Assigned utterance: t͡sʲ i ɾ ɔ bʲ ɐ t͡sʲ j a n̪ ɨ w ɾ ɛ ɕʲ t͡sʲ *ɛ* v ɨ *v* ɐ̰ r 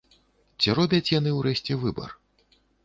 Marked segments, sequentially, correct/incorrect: correct, incorrect

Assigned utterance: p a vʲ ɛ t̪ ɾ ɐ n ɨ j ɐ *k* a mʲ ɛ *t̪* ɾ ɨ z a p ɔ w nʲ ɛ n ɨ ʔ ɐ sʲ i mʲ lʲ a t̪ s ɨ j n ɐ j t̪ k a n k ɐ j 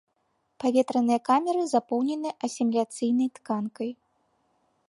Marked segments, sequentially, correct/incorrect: correct, incorrect

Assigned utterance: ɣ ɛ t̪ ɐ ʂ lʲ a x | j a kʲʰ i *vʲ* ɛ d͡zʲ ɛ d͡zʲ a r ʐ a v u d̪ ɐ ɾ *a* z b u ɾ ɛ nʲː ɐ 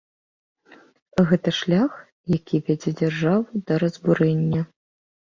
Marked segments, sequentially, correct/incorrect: correct, incorrect

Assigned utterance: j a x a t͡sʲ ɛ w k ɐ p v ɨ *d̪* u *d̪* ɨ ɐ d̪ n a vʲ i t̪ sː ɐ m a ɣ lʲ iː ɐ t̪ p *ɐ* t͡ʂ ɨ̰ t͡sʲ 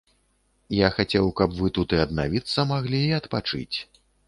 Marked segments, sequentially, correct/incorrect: incorrect, incorrect, incorrect

